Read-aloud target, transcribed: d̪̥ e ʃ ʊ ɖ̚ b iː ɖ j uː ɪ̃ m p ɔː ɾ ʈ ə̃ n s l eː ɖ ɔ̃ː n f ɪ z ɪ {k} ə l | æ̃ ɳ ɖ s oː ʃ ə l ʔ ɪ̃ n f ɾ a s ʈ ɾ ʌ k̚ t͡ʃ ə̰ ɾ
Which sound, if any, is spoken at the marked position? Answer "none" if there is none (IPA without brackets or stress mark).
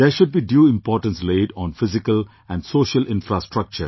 k